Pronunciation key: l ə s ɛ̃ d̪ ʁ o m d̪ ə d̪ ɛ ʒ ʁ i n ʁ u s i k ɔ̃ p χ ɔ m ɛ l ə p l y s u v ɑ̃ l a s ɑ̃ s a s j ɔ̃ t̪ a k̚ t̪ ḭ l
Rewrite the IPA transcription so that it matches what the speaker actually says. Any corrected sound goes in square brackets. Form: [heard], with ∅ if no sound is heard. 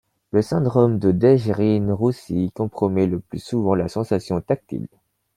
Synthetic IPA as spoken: l ə s ɛ̃ d̪ ʁ [ɔ] m d̪ ə d̪ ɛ ʒ ʁ i n ʁ u s i k ɔ̃ p χ ɔ m ɛ l ə p l y s u v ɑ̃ l a s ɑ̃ s a s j ɔ̃ t̪ a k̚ t̪ ḭ l